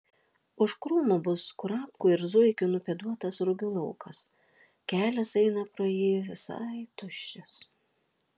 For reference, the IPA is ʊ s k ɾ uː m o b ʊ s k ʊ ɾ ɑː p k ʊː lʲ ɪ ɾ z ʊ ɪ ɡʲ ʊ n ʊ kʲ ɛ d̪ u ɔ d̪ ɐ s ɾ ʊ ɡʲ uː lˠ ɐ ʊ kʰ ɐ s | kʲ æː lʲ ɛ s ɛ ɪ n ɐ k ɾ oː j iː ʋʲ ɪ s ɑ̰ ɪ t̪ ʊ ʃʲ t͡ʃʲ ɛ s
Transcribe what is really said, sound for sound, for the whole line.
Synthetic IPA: ʊ ʃ k ɾ uː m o b ʊ s k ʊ ɾ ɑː p k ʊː ɪ ɾ z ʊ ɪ kʲ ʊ n ʊ pʲ ɛ d̪ u ɔ t̪ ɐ s ɾ ʊ ɡʲ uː lˠ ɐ ʊ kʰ ɐ s | kʲ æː lʲ ɛ s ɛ ɪ n ɐ p ɾ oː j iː ʋʲ ɪ s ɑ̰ ɪ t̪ ʊ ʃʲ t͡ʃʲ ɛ s